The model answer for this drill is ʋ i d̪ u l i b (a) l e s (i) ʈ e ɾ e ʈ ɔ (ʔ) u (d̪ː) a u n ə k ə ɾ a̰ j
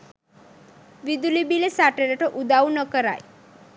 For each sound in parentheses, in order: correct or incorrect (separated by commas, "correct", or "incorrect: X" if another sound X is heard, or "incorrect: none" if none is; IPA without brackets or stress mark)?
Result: incorrect: i, incorrect: a, correct, incorrect: d̪